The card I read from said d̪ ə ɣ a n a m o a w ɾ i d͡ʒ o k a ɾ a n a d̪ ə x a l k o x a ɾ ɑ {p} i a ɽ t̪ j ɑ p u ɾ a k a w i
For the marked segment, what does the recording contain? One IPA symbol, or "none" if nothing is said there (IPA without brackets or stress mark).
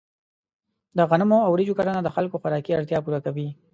k